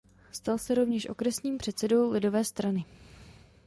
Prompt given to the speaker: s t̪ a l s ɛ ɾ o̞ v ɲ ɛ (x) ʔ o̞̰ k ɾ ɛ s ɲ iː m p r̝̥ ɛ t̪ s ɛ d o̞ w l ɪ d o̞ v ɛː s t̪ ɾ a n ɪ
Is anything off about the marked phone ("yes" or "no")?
yes